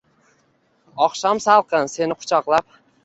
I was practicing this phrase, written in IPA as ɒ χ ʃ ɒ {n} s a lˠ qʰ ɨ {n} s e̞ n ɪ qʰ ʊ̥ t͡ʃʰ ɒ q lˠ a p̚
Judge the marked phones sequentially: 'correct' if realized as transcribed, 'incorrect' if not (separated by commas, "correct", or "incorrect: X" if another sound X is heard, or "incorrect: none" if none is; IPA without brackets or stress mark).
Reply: incorrect: m, correct